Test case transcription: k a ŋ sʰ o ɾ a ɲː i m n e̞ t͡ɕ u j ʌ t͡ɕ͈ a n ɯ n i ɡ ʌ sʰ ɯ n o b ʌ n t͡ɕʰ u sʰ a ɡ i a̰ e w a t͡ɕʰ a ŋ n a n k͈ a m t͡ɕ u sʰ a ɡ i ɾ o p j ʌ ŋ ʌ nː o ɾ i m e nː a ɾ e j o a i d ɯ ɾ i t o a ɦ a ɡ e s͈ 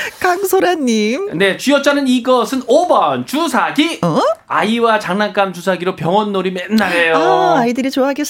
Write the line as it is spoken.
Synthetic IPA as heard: k a ŋ sʰ o ɾ a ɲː i m n e̞ t͡ɕ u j ʌ t͡ɕ͈ a n ɯ n i ɡ ʌ sʰ ɯ n o b ʌ n t͡ɕ u sʰ a ɡ i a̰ i w a t͡ɕ a ŋ n a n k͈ a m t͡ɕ u sʰ a ɡ i ɾ o p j ʌ ŋ ʌ nː o ɾ i m e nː a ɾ e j o a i d ɯ ɾ i t͡ɕ o a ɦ a ɡ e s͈